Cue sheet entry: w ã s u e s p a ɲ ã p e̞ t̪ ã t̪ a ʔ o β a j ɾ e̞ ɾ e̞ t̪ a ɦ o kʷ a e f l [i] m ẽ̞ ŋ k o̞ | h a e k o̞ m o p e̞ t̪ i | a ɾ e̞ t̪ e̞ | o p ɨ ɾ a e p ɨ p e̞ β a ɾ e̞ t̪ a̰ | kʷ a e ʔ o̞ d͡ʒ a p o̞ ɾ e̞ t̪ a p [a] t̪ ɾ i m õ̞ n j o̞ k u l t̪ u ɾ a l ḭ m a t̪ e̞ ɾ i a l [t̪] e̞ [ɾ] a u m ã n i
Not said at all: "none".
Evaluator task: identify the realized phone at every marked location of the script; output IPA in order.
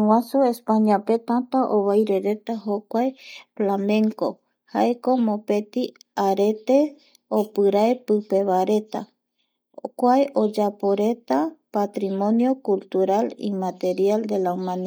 a, a, d̪, l

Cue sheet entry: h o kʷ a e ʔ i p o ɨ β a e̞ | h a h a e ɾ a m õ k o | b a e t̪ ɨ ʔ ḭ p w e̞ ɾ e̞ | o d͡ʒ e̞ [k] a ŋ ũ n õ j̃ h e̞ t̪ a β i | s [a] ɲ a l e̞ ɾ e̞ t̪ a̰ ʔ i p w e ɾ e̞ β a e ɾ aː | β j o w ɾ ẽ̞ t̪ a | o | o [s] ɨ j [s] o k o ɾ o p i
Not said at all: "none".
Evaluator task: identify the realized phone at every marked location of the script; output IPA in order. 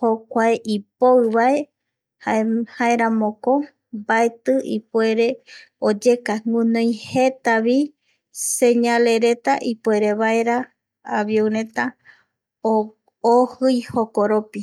k, e, h, h

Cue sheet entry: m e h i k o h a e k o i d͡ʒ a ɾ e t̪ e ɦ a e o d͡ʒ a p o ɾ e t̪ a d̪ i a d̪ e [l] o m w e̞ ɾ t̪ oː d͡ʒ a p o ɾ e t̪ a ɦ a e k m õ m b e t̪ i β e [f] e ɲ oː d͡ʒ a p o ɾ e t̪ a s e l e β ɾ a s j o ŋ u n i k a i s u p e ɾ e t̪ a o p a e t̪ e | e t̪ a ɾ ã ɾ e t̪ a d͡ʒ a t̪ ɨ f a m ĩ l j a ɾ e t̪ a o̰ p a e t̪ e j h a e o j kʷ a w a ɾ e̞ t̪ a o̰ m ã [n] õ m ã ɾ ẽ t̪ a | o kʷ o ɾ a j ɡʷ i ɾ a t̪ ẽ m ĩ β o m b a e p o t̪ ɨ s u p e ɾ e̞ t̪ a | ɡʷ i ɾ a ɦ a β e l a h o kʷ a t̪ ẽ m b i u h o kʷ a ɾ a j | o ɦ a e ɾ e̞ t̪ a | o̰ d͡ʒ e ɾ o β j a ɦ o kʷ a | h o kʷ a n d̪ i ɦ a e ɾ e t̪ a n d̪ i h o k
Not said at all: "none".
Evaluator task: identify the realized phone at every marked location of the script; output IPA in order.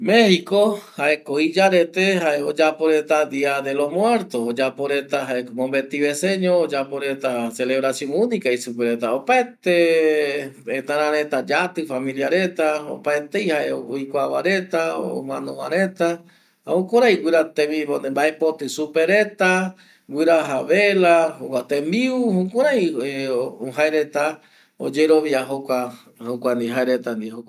l, s, n

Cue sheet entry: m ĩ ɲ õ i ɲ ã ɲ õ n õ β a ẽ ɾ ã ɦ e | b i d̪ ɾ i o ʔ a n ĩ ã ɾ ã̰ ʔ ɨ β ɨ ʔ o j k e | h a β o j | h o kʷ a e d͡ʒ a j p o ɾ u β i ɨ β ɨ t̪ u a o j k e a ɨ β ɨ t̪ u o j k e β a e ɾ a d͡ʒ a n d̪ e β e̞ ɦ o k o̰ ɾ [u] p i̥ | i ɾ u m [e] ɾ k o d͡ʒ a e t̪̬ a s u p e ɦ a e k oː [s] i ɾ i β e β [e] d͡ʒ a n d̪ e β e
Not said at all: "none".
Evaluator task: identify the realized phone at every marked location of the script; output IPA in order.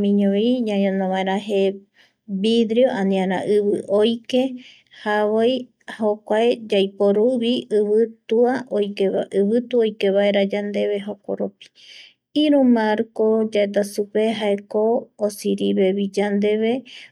o, a, s, i

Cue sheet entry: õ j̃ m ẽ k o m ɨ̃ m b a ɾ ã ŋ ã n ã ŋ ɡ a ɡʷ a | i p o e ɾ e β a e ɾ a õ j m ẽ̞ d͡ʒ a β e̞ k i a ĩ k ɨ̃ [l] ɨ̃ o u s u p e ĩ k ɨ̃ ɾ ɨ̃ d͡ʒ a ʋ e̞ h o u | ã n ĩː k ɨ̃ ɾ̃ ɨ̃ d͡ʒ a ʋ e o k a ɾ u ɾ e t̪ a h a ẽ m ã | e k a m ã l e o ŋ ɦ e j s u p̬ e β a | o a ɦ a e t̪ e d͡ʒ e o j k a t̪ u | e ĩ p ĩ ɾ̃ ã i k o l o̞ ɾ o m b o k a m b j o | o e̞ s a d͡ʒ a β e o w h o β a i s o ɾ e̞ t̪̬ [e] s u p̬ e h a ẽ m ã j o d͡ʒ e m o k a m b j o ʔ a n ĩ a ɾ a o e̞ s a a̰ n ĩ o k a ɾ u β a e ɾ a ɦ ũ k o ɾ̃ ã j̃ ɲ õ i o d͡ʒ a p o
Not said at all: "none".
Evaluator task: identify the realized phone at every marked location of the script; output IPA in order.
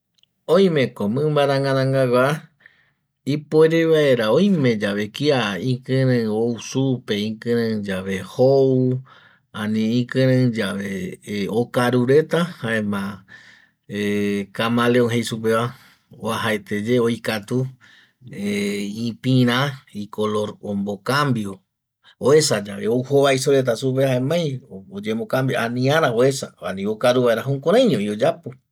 ɾ, a

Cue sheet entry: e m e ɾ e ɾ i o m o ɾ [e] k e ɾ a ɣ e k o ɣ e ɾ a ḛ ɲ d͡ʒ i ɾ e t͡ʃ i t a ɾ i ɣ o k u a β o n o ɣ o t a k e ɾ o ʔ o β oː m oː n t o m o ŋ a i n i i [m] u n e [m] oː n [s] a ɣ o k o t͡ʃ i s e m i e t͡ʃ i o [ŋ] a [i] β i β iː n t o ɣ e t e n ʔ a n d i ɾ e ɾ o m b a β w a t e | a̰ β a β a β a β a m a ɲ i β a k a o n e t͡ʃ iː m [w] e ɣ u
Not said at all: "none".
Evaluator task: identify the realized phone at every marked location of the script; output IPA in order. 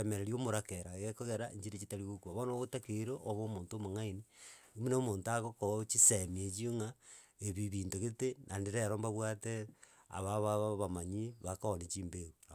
a, m, m, t, ŋ, e, b

